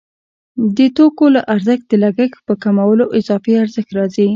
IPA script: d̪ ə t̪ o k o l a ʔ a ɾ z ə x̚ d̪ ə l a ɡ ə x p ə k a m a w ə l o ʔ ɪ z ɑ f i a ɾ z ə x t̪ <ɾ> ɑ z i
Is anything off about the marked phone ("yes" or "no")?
no